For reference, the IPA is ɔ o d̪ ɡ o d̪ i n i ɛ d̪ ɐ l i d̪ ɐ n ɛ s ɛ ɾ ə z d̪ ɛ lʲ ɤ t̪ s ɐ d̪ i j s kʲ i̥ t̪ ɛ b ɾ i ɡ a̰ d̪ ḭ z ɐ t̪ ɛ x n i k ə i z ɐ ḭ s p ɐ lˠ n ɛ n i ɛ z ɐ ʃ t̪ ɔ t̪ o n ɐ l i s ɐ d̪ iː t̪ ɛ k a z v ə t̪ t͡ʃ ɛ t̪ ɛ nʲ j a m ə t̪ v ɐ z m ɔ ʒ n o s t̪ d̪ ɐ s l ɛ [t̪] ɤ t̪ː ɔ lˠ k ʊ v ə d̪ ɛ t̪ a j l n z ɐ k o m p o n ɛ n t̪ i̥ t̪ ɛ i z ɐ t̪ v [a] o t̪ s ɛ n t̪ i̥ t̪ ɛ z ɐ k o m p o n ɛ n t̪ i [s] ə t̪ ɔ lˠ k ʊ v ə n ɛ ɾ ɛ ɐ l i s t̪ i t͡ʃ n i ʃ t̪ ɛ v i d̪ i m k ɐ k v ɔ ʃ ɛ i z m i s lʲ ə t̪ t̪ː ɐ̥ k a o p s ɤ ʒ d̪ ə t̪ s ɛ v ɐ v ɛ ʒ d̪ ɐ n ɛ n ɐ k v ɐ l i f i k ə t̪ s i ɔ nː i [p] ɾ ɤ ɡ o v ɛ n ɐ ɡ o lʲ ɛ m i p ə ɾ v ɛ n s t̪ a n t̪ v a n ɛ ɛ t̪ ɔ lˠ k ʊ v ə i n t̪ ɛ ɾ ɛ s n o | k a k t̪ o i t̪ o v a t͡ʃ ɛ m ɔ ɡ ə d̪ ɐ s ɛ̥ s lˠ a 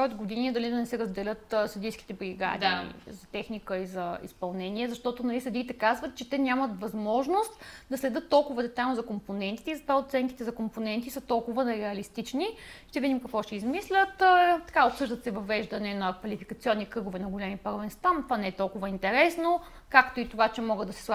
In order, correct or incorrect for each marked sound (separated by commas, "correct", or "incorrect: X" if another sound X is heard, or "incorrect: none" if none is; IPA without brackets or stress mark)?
incorrect: d̪, correct, correct, incorrect: k